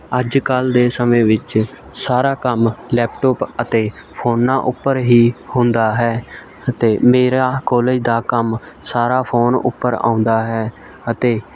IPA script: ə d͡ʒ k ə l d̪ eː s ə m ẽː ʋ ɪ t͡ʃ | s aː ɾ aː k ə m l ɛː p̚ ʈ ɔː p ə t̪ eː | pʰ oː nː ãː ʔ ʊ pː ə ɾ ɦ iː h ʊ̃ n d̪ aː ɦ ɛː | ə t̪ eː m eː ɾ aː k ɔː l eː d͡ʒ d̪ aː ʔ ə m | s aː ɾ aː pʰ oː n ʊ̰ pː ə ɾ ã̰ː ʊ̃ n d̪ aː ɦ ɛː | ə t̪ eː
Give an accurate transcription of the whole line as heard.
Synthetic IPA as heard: ə d͡ʒ k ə l d̪ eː s ə m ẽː ʋ ɪ t͡ʃ | s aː ɾ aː k ə m l ɛː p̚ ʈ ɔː p ə t̪ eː | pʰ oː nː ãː ʔ ʊ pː ə ɾ ɦ iː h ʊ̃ n d̪ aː ɦ ɛː | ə t̪ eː m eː ɾ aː k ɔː l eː d͡ʒ d̪ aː k ə m | s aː ɾ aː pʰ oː n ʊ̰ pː ə ɾ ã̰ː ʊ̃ n d̪ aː ɦ ɛː | ə t̪ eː

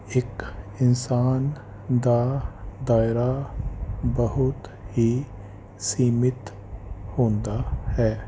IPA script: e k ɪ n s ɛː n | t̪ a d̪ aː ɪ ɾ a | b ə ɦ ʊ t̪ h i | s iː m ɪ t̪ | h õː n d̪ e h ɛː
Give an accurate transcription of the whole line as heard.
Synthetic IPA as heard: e k ɪ n s aː n | d̪ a d̪ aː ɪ ɾ a | b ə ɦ ʊ t̪ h i | s iː m ɪ t̪ | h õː n d̪ a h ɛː

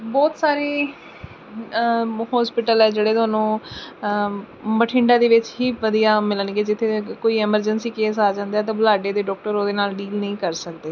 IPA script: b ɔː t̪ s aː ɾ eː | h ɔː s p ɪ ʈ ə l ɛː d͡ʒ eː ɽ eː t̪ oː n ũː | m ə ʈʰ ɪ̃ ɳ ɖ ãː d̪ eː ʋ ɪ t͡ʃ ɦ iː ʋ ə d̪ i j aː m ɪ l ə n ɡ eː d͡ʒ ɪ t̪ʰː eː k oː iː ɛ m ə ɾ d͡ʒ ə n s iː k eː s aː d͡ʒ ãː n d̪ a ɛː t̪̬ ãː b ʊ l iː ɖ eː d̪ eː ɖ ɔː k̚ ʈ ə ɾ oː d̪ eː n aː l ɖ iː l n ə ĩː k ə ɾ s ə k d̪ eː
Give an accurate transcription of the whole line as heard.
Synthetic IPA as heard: b ɔː t̪ s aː ɾ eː | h ɔː s p ɪ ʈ ə l ɛː d͡ʒ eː ɽ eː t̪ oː n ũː | m ə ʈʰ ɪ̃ ɳ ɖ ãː d̪ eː ʋ ɪ t͡ʃ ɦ iː ʋ ə d̪ i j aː m ɪ l ə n ɡ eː d͡ʒ ɪ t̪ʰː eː k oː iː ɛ m ə ɾ d͡ʒ ə n s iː k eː s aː d͡ʒ ãː n d̪ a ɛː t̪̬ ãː b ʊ l aː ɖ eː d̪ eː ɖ ɔː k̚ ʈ ə ɾ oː d̪ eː n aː l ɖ iː l n ə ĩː k ə ɾ s ə k d̪ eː

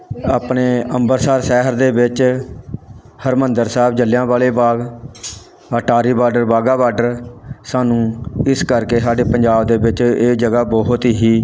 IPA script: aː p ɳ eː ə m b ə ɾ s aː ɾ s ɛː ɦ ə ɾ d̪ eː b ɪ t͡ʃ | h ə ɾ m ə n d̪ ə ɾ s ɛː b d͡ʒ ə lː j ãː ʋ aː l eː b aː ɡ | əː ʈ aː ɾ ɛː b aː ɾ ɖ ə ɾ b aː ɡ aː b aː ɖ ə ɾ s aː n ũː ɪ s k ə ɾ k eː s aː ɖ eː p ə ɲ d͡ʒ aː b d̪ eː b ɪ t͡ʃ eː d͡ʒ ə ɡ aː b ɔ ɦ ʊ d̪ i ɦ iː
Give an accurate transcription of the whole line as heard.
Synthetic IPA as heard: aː p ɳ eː ə m b ə ɾ s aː ɾ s ɛː ɦ ə ɾ d̪ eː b ɪ t͡ʃ | h ə ɾ m ə n d̪ ə ɾ s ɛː b d͡ʒ ə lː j ãː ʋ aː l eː b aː ɡ | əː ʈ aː ɾ iː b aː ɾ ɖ ə ɾ b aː ɡ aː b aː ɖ ə ɾ s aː n ũː ɪ s k ə ɾ k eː s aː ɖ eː p ə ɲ d͡ʒ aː b d̪ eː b ɪ t͡ʃ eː d͡ʒ ə ɡ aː b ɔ ɦ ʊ t̪ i ɦ iː

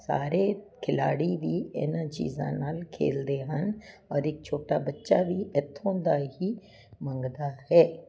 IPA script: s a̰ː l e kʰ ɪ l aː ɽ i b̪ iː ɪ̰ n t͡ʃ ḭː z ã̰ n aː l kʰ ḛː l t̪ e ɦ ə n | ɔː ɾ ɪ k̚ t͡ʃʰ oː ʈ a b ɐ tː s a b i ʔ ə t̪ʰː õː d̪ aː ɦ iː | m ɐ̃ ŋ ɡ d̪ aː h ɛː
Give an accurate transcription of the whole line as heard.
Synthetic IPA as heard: s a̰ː ɾ e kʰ ɪ l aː ɽ i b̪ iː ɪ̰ n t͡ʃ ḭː z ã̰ n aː l kʰ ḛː l d̪ e ɦ ə n | ɔː ɾ ɪ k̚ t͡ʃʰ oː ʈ a b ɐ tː ʃ a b i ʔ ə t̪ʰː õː d̪ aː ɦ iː | m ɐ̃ ŋ ɡ d̪ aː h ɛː

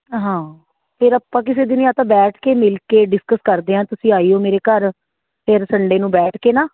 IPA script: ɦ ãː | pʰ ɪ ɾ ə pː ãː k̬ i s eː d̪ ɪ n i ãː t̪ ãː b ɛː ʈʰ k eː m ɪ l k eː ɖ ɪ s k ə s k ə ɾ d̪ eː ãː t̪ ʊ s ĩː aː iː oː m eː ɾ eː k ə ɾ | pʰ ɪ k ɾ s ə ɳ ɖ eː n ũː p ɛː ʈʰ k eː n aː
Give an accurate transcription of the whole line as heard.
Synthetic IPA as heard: ɦ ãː | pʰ ɪ ɾ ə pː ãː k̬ ɪ s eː d̪ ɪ n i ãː t̪ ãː b ɛː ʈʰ k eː m ɪ l k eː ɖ ɪ s k ə s k ə ɾ d̪ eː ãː t̪ ʊ s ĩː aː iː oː m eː ɾ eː k ə ɾ | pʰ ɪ ɾ s ə ɳ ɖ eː n ũː b ɛː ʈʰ k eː n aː

